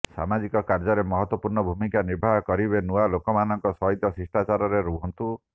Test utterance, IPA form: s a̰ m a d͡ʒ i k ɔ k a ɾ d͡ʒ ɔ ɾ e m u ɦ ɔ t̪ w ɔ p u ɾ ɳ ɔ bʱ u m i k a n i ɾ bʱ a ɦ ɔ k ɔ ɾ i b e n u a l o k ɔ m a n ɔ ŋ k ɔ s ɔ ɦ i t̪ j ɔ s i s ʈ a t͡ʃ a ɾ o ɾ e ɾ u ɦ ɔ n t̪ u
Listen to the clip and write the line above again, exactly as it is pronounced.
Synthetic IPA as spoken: s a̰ m a d͡ʒ i k ɔ k a ɾ d͡ʒ ɔ ɾ e m ɔ ɦ ɔ t̪ w ɔ p u ɾ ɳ ɔ bʱ u m i k a n i ɾ bʱ a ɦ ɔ k ɔ ɾ i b e n u a l o k ɔ m a n ɔ ŋ k ɔ s ɔ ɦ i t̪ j ɔ s i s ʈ a t͡ʃ a ɾ ɔ ɾ e ɾ u ɦ ɔ n t̪ u